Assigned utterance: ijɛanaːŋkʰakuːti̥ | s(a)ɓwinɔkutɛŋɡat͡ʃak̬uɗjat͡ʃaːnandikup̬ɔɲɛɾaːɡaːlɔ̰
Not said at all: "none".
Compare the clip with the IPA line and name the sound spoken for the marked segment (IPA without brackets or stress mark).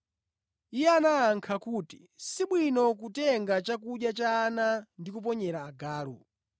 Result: i